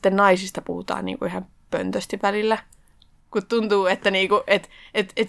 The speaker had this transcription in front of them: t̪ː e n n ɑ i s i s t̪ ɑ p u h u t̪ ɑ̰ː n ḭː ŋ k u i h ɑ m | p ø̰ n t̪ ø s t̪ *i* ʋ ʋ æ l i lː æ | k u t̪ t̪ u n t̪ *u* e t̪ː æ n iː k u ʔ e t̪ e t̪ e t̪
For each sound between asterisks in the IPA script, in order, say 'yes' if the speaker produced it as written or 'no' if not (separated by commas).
yes, no